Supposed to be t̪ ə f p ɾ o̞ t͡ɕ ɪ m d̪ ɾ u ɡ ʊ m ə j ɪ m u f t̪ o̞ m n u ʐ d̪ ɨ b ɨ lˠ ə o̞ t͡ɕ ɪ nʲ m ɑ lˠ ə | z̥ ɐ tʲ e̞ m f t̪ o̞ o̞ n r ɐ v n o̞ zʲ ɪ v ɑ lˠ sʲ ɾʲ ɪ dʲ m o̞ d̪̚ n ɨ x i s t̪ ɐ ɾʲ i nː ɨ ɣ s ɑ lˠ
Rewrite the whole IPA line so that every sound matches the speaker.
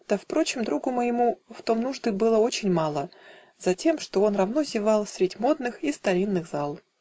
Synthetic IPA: t̪ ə f p ɾ o̞ t͡ɕ ɪ m d̪ ɾ u ɡ ʊ m ə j ɪ m u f t̪ o̞ m n u ʐ d̪ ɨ b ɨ lˠ ə o̞ t͡ɕ ɪ nʲ m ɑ lˠ ə | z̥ ɐ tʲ e̞ m ʂ t̪ o̞ o̞ n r ɐ v n o̞ zʲ ɪ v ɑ lˠ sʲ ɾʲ ɪ dʲ m o̞ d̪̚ n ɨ x i s t̪ ɐ ɾʲ i nː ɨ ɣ z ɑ lˠ